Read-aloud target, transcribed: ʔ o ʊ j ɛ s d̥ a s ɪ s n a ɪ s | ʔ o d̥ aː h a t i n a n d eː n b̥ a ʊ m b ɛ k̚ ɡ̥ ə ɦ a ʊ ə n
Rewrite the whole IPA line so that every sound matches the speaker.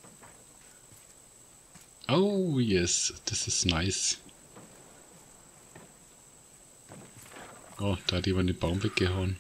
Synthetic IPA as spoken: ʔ o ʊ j ɛ s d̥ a s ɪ s n a ɪ s | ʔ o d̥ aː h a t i m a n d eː n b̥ a ʊ m v ɛ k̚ ɡ̥ ə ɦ a ʊ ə n